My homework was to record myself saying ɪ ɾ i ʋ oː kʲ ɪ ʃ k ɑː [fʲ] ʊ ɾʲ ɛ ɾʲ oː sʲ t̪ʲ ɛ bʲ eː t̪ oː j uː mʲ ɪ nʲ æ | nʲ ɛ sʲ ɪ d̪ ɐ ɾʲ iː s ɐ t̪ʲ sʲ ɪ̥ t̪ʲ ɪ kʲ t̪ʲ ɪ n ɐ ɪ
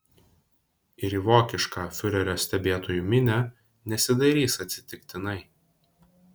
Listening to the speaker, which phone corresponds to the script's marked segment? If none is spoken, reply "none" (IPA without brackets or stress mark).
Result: fʲ